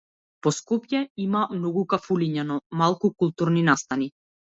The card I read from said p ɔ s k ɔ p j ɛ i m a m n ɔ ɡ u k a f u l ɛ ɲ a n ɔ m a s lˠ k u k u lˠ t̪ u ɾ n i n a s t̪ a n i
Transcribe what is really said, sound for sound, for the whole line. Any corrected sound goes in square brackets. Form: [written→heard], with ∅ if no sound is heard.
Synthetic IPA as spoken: p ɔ s k ɔ p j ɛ i m a m n ɔ ɡ u k a f u l [ɛ→i] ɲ a n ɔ m a [s→∅] lˠ k u k u lˠ t̪ u ɾ n i n a s t̪ a n i